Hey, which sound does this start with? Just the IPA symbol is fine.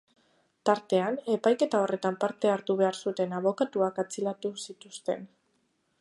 t̪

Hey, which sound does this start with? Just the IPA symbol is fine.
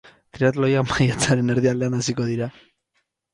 t̪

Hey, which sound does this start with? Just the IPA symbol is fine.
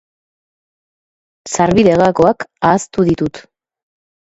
s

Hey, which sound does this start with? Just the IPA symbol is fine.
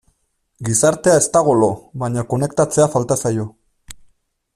ɡ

